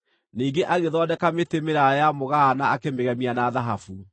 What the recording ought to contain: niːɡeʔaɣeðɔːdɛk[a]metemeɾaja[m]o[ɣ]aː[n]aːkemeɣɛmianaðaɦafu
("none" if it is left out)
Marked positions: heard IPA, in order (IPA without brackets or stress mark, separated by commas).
a, m, ɣ, n